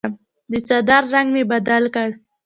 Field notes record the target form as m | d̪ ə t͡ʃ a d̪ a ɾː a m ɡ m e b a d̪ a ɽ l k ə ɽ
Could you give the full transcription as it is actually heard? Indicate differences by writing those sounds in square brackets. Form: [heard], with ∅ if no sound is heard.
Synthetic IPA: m | d̪ ə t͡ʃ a d̪ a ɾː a [ŋ] ɡ m e b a d̪ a [∅] l k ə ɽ